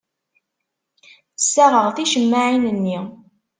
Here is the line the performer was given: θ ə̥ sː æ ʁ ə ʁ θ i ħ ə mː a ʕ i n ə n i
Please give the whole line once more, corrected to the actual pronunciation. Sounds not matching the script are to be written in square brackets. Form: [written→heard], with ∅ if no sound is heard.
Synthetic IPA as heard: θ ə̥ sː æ ʁ ə ʁ θ i [ħ→ʃ] ə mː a ʕ i n ə [n→nː] i